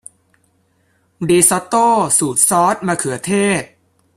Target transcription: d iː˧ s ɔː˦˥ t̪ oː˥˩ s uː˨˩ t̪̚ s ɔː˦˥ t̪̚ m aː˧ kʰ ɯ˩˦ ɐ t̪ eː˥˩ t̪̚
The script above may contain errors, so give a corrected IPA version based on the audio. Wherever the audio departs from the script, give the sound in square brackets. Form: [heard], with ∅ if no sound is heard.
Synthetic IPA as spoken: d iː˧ s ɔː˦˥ t̪ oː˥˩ s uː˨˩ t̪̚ s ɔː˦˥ t̪̚ m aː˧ kʰ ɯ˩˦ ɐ [t̪ʰ] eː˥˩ t̪̚